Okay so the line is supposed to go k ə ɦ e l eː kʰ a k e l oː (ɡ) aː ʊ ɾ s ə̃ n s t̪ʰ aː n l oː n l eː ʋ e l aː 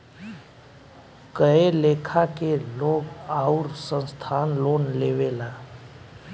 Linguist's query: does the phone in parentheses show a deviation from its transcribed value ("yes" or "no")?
no